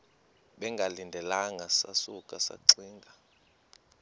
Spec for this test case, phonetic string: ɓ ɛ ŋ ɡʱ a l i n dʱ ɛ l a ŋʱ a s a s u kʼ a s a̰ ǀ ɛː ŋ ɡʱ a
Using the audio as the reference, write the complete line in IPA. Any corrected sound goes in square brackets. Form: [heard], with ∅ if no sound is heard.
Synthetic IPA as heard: ɓ ɛ ŋ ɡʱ a l i n dʱ ɛ l a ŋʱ a s a s u kʼ a s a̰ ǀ [iː] ŋ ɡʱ a